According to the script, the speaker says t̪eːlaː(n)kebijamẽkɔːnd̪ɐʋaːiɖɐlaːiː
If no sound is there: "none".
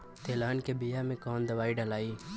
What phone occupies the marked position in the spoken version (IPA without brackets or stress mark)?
n